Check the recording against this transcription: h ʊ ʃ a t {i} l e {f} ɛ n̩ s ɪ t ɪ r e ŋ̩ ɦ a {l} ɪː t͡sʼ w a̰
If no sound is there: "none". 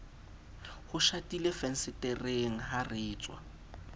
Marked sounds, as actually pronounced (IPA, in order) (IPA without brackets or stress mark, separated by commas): i, f, r